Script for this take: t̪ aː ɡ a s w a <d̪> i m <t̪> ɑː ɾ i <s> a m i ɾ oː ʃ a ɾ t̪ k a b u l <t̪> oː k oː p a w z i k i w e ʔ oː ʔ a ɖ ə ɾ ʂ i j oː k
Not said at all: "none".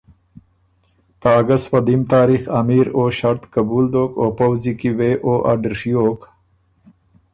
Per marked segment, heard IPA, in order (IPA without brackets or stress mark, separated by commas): d̪, t̪, x, d̪